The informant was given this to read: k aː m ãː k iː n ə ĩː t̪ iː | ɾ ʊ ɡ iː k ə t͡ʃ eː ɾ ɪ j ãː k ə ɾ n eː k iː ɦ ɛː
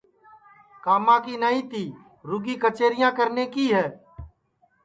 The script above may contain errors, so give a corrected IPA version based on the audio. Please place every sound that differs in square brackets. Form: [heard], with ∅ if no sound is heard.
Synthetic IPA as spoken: k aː m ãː k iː n ə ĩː t̪ iː | ɾ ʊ ɡ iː k ə t͡ʃ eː ɾ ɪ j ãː k ə ɾ n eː k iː ɦ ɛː